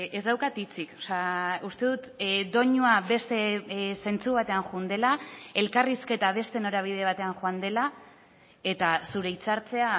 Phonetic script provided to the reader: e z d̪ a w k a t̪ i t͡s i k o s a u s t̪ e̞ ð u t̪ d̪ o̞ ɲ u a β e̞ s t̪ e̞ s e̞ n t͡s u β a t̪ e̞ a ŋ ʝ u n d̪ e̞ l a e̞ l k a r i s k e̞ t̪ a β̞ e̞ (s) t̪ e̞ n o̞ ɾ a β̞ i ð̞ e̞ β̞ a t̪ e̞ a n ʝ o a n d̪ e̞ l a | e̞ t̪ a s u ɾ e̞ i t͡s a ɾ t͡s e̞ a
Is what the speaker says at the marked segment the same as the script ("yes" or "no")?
yes